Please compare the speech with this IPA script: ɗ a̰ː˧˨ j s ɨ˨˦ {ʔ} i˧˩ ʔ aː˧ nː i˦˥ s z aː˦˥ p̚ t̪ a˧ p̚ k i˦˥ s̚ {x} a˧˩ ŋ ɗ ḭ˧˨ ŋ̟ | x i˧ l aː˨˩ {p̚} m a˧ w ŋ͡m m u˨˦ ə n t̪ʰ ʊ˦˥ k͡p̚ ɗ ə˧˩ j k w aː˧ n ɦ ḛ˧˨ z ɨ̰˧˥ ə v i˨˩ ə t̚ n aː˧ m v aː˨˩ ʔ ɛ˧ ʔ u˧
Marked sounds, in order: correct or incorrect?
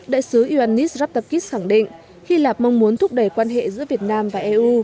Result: correct, correct, correct

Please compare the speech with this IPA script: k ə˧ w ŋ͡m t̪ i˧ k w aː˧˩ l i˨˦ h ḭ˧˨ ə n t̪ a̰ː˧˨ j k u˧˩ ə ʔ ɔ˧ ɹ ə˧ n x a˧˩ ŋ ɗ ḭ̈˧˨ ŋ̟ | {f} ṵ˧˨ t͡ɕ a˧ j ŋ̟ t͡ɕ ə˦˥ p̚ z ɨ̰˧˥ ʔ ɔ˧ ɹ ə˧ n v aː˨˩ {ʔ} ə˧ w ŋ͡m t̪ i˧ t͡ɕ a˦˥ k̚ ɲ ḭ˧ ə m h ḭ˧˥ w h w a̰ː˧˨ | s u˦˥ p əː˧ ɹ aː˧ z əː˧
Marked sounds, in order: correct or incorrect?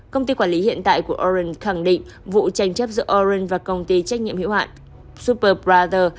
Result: incorrect: v, incorrect: k

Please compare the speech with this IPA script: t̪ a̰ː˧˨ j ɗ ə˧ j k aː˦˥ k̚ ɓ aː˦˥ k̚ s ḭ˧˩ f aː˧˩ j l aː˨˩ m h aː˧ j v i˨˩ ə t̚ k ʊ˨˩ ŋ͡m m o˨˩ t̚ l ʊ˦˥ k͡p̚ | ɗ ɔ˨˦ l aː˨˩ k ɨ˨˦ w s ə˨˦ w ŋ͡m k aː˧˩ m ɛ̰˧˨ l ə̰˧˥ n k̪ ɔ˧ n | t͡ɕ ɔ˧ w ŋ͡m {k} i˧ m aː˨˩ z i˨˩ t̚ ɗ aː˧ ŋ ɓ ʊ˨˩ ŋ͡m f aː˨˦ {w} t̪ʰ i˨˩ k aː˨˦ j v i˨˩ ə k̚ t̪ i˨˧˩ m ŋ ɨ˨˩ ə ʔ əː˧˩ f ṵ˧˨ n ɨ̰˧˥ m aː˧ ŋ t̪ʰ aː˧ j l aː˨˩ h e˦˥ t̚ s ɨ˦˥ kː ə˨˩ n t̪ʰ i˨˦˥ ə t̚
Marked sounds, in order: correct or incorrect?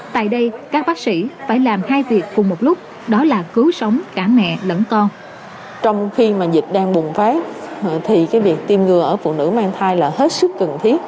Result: incorrect: x, incorrect: none

